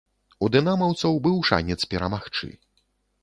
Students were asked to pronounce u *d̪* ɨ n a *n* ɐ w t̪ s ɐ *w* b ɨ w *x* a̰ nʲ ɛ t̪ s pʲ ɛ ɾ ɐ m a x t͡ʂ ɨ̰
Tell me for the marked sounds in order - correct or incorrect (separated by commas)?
correct, incorrect, correct, incorrect